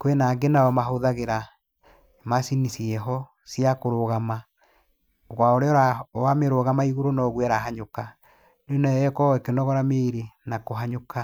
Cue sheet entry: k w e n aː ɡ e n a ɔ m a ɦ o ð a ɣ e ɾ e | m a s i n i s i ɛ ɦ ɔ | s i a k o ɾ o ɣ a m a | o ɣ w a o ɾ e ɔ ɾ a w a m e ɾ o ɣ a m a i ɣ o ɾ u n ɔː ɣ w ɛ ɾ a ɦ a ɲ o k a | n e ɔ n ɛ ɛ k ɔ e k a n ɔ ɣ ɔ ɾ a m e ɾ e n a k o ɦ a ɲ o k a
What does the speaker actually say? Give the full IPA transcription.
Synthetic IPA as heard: k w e n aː ɡ e n a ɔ m a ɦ o ð a ɣ e ɾ a | m a s i n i s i ɛ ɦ ɔ | s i a k o ɾ o ɣ a m a | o ɣ w a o ɾ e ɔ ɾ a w a m e ɾ o ɣ a m a i ɣ o ɾ o n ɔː ɣ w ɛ ɾ a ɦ a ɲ o k a | n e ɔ n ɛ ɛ k ɔ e k e n ɔ ɣ ɔ ɾ a m e ɾ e n a k o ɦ a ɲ o k a